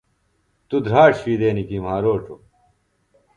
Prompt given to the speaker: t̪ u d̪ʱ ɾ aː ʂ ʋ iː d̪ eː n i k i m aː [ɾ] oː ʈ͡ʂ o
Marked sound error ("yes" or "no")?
no